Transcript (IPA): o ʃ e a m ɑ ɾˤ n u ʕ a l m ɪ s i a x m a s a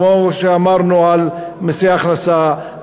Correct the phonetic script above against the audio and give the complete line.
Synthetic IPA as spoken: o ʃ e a m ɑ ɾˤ n u ʕ a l m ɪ s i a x n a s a